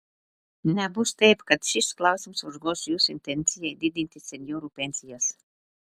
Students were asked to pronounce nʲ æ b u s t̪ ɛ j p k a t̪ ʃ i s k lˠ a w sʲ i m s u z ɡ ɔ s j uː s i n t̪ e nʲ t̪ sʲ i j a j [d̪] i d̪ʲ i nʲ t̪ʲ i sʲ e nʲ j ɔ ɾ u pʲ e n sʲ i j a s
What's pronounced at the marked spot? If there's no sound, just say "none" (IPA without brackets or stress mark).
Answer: d̪